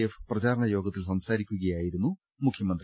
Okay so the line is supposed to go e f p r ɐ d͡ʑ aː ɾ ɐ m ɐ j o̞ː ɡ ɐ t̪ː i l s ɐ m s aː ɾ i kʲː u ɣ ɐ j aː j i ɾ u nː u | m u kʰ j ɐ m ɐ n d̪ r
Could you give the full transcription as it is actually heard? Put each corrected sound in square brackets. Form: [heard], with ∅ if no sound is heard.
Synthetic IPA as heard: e f p r ɐ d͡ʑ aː ɾ ɐ [ɳ] ɐ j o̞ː ɡ ɐ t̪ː i l s ɐ m s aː ɾ i kʲː u ɣ ɐ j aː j i ɾ u nː u | m u kʰ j ɐ m ɐ n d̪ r